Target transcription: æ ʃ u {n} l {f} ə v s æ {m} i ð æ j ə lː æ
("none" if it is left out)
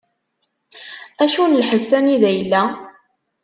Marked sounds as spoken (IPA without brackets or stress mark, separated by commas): n, ħ, n